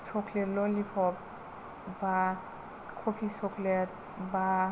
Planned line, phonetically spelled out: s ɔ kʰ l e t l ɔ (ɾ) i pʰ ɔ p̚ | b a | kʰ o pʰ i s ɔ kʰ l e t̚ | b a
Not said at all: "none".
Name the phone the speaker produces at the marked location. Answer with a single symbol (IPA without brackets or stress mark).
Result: l